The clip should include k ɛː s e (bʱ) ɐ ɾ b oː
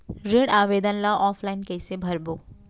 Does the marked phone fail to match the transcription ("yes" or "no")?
no